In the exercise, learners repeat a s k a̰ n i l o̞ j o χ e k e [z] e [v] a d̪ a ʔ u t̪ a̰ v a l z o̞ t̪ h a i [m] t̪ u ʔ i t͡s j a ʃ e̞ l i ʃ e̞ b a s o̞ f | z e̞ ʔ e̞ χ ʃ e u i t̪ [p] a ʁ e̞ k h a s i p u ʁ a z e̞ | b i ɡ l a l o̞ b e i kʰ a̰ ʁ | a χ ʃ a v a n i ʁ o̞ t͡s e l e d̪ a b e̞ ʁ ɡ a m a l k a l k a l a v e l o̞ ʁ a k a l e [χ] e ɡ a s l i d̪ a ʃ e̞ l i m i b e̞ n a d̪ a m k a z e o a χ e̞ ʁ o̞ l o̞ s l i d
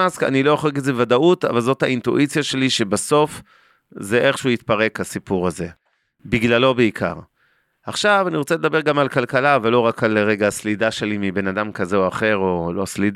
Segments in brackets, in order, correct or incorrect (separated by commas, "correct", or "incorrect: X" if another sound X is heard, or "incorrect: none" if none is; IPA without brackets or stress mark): correct, correct, incorrect: n, correct, incorrect: ʁ